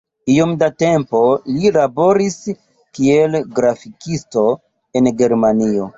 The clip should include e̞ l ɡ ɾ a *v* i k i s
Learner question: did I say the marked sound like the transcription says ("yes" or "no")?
no